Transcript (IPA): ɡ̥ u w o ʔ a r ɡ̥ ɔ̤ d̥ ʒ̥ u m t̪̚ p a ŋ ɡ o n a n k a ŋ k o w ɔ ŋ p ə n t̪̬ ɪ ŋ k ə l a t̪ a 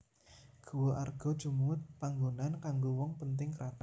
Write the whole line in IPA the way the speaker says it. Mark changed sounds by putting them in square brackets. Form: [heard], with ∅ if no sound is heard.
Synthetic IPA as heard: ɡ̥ u w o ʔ a r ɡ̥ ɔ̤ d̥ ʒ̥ u m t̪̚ p a ŋ ɡ o n a n k a ŋ [ɡ] o w ɔ ŋ p ə n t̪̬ ɪ ŋ k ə [ɾ] a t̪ a